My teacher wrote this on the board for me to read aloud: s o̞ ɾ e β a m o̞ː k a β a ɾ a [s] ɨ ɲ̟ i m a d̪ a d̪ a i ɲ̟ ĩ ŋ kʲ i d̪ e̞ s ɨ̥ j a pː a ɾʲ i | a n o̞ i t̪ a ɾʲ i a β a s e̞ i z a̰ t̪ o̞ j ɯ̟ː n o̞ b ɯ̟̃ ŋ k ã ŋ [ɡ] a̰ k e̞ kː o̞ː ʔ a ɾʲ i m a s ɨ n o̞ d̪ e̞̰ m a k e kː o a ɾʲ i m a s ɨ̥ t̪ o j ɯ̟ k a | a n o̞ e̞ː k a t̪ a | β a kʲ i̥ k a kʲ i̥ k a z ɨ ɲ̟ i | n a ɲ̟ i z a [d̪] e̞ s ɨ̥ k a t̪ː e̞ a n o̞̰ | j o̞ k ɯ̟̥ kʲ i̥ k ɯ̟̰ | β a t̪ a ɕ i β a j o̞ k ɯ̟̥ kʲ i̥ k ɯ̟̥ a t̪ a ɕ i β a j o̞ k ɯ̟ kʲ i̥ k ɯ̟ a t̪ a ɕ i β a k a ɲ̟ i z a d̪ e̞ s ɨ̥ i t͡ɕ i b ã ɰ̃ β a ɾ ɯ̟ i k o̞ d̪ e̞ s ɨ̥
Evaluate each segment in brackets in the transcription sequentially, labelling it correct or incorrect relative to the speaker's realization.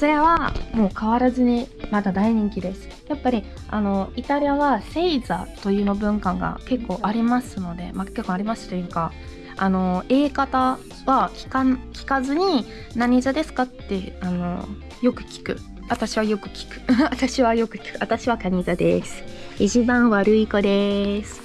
incorrect: z, correct, correct

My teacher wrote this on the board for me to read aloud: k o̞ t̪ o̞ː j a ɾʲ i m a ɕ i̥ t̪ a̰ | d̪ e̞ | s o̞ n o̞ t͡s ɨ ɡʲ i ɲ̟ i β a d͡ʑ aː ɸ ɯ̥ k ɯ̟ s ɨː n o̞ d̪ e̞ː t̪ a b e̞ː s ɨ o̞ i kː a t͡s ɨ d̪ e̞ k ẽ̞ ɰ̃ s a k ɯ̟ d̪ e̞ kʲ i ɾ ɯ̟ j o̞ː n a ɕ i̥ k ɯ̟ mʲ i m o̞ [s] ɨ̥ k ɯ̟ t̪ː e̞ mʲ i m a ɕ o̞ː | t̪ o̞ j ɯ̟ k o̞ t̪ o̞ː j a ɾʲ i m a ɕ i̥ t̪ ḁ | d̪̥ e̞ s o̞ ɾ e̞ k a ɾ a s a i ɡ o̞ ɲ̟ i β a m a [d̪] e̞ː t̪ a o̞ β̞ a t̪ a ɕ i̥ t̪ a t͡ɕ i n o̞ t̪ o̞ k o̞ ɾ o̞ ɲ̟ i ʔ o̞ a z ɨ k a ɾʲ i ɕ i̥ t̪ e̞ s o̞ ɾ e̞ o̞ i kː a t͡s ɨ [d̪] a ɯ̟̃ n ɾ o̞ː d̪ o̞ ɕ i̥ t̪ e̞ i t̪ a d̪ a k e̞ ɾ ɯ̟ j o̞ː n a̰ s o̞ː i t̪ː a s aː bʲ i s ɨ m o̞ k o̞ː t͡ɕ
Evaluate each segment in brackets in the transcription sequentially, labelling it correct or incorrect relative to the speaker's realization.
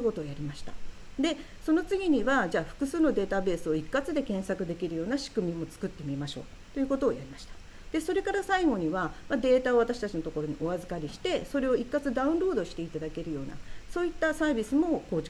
incorrect: t͡s, correct, correct

